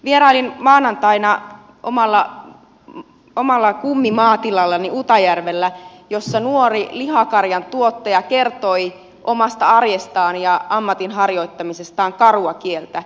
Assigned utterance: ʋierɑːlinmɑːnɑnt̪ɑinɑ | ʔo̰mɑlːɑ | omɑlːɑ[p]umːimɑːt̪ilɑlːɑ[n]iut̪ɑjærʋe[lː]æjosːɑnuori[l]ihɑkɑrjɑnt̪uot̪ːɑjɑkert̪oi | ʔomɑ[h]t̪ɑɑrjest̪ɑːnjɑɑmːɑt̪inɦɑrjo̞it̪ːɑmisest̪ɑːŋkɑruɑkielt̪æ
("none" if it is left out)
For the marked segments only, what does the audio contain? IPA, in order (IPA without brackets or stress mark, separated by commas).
k, n, lː, l, s